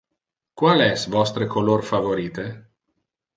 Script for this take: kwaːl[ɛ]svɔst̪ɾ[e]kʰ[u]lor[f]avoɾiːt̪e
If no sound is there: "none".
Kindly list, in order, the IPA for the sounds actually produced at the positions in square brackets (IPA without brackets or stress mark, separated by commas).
ɛ, e, o, f